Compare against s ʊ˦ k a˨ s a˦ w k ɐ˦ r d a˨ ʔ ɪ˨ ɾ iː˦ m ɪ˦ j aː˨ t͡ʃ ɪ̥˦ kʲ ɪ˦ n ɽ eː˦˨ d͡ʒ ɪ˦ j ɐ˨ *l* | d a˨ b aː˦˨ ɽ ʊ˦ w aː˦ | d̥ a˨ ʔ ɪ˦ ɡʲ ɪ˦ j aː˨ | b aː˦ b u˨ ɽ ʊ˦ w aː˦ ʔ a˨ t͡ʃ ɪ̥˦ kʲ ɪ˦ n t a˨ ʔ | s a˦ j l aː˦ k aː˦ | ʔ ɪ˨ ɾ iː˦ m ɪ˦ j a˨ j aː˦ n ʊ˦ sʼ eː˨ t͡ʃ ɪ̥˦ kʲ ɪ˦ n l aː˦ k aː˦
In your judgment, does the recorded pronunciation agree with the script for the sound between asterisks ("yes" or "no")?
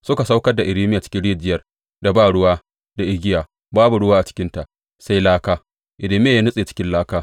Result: no